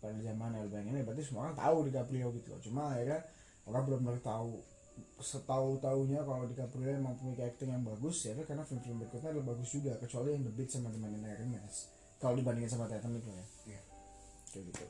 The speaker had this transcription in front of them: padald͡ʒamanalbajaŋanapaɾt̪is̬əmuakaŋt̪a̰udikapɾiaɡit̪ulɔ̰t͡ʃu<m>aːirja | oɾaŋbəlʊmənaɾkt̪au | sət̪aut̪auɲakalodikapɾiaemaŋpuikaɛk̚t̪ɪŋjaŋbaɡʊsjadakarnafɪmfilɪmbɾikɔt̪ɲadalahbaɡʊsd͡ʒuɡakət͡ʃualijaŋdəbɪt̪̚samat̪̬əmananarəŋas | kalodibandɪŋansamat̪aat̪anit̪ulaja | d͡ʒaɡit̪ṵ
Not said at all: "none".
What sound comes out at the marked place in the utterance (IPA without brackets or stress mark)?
m